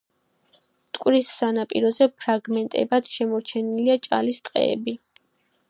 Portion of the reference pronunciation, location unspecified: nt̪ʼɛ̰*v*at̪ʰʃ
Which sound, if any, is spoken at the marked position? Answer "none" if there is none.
b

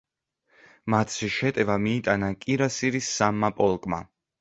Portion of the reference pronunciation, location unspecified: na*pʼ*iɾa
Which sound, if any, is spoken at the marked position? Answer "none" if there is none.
kʼ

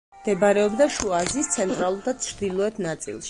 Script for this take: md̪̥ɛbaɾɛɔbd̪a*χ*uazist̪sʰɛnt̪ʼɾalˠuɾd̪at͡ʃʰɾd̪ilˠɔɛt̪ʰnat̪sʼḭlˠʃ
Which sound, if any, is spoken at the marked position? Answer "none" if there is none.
ʃ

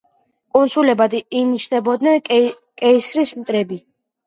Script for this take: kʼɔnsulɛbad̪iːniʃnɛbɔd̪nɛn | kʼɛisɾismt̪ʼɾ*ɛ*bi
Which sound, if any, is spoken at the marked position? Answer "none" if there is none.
ɛ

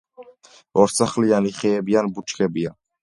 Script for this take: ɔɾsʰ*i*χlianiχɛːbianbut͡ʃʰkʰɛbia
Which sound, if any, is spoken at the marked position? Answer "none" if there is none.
a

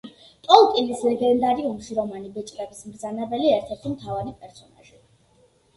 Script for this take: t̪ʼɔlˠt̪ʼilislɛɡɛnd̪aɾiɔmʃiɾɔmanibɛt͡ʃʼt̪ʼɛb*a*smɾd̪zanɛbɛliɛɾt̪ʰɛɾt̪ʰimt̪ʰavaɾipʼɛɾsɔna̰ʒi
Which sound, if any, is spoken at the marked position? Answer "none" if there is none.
i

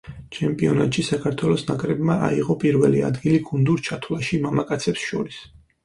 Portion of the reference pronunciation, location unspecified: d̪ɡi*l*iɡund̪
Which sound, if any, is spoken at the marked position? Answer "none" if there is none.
l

